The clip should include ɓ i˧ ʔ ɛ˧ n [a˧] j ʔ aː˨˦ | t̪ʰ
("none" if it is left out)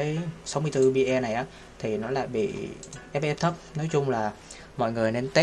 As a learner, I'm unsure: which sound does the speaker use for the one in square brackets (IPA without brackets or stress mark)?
a˨˩